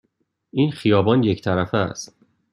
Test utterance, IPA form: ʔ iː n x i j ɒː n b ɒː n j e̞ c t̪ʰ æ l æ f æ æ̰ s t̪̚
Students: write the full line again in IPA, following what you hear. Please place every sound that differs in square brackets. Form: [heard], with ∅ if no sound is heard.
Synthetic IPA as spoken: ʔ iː n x i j ɒː [∅] b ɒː n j e̞ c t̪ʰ æ [ɾ] æ f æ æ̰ s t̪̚